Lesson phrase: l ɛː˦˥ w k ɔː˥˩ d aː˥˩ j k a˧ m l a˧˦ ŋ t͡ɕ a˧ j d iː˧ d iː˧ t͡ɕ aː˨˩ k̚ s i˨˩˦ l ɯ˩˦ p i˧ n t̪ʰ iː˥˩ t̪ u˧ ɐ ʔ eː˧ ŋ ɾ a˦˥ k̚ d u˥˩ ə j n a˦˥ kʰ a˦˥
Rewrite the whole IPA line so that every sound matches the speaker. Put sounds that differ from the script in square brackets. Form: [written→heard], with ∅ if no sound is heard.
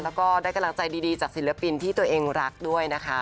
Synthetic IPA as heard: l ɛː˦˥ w k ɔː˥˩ d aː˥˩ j k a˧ m l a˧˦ ŋ t͡ɕ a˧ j d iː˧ d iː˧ t͡ɕ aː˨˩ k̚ s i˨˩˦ l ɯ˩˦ p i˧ n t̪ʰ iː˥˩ t̪ u˧ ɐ ʔ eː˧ ŋ ɾ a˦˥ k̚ d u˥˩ ə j n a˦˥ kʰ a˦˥